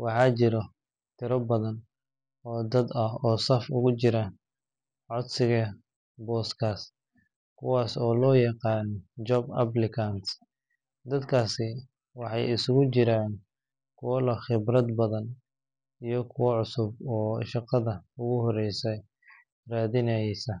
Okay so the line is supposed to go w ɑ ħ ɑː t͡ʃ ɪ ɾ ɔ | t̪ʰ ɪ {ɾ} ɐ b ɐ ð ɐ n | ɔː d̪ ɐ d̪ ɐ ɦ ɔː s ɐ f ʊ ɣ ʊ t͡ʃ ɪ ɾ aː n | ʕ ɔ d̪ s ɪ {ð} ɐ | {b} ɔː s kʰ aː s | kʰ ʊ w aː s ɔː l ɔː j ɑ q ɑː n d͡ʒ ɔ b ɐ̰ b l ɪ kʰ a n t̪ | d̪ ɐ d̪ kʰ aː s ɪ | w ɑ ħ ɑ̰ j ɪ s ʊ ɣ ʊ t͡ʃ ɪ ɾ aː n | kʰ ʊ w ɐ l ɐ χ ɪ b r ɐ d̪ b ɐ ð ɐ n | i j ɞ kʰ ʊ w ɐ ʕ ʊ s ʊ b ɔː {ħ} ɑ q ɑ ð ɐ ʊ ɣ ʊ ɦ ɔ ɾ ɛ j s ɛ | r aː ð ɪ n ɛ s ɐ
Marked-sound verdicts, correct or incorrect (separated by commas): correct, incorrect, correct, incorrect